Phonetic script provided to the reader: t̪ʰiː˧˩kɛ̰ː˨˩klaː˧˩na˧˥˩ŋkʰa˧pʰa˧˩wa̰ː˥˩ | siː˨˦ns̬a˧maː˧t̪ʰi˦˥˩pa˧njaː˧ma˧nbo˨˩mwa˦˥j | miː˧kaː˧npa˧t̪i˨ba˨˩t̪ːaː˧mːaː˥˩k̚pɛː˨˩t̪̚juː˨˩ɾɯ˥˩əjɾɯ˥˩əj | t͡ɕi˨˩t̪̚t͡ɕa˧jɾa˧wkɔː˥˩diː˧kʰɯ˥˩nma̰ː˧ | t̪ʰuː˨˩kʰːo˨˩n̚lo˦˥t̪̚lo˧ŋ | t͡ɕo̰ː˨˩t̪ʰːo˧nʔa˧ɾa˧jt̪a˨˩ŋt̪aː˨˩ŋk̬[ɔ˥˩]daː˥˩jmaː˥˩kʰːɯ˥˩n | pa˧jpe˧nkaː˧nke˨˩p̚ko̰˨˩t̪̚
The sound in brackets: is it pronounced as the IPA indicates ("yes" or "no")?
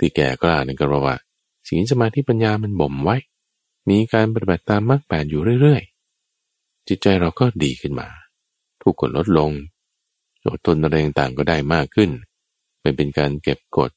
no